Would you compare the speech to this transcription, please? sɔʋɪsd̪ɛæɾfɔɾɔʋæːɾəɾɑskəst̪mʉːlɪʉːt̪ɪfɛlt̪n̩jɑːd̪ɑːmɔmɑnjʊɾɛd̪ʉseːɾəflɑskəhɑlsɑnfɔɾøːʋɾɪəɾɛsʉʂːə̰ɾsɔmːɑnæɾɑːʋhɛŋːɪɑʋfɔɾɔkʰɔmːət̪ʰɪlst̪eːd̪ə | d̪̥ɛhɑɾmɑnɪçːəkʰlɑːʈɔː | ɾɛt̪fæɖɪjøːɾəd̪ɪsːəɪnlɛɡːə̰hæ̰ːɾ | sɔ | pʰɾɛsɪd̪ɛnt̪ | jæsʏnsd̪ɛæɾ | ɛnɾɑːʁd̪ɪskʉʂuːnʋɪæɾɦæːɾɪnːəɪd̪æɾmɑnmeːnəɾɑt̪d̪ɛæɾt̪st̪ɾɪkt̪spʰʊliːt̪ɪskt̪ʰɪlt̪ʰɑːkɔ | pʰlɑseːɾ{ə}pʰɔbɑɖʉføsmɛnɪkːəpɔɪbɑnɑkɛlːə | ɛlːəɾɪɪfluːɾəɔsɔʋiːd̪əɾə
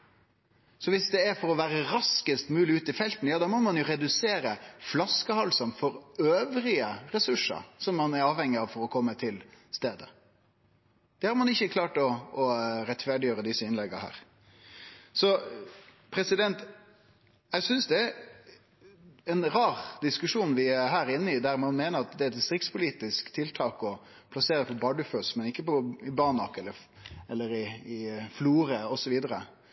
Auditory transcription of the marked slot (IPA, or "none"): ə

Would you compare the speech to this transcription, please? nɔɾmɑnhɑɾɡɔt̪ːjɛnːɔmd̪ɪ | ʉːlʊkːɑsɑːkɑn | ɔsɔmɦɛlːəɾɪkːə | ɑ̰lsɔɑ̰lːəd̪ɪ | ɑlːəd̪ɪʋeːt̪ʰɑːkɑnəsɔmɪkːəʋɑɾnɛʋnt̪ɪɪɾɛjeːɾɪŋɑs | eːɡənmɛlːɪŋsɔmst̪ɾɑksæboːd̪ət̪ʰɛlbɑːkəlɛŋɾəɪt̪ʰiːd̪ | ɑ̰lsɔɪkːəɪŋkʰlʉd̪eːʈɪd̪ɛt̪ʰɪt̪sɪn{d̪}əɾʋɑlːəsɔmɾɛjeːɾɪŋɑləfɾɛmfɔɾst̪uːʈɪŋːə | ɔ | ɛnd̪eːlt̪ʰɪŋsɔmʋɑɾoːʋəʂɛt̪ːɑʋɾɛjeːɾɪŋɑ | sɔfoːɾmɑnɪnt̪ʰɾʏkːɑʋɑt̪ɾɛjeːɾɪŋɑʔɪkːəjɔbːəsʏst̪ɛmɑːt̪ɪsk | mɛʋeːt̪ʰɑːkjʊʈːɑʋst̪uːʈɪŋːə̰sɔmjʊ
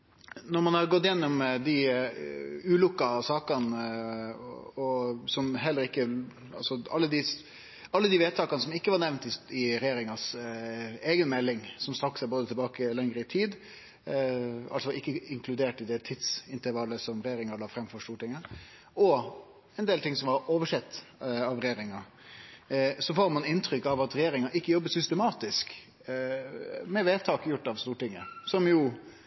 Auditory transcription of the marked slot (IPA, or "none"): t̪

